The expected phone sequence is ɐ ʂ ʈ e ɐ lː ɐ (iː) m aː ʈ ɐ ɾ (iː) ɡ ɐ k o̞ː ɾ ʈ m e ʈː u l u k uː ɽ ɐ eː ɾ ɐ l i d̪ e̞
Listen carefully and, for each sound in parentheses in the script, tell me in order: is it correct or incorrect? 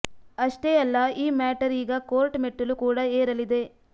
correct, correct

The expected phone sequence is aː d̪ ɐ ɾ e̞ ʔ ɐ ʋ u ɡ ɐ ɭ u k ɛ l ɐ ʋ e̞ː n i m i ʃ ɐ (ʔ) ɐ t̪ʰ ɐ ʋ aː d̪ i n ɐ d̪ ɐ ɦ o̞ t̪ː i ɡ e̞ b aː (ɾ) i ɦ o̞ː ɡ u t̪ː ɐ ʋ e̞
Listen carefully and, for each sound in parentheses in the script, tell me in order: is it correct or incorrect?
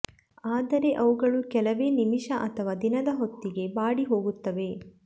correct, incorrect

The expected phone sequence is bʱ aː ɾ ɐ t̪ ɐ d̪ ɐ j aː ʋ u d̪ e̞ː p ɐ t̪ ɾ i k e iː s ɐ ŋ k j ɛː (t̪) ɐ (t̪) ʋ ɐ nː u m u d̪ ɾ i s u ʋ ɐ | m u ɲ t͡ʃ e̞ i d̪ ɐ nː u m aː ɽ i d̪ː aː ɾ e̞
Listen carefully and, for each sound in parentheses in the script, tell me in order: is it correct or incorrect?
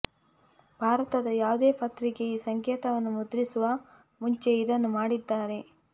correct, incorrect

